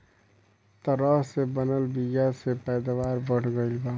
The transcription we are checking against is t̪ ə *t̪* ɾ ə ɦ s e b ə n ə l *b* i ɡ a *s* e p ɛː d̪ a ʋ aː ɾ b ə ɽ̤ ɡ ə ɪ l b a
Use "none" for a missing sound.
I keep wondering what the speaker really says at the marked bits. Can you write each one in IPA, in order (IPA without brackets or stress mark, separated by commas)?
none, b, s